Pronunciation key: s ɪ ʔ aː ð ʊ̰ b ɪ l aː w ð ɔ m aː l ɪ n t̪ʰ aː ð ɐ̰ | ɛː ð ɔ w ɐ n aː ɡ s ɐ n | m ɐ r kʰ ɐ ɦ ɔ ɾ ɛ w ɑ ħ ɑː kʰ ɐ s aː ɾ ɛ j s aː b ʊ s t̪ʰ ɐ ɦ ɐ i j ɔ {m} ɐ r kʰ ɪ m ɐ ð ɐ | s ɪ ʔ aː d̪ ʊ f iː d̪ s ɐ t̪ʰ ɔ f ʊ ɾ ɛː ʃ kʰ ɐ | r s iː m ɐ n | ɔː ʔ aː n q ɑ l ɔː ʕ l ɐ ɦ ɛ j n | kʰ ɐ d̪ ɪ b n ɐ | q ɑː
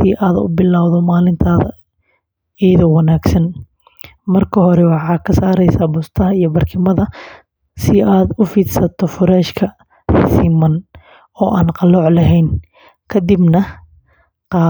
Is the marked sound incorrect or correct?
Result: incorrect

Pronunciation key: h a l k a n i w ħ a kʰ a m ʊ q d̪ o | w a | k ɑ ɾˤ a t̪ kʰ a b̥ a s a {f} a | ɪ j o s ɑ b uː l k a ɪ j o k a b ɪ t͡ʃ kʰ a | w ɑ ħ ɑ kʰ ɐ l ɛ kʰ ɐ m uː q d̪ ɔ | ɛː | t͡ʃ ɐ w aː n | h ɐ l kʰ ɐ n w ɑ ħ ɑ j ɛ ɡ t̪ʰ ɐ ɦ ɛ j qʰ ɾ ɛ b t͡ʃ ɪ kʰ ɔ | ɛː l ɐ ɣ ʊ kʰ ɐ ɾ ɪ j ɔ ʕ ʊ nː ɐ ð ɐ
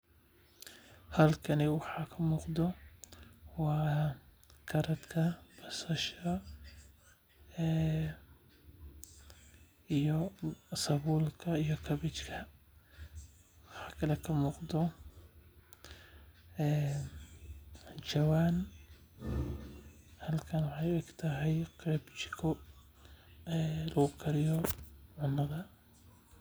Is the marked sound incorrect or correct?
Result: incorrect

